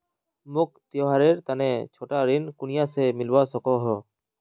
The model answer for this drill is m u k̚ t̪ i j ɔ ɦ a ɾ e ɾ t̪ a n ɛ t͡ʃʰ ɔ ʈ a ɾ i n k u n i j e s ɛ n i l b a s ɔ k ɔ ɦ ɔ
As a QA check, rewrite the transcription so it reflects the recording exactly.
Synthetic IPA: m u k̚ t̪ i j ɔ ɦ a ɾ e ɾ t̪ a n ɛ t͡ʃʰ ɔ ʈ a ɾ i n k u n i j a s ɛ m i l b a s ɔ k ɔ ɦ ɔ